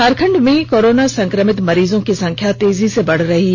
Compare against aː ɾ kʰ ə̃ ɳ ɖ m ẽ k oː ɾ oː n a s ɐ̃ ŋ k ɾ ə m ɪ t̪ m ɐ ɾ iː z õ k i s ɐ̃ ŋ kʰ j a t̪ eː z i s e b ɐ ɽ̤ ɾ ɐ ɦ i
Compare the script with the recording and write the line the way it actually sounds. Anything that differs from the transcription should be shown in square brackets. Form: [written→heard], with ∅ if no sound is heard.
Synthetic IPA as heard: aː ɾ kʰ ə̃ ɳ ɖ m ẽ k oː ɾ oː n a s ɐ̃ ŋ k ɾ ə m ɪ t̪ m ɐ ɾ iː z õ k i s ɐ̃ ŋ kʰ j a t̪ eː z i s e b ɐ ɽ̤ ɾ ɐ ɦ i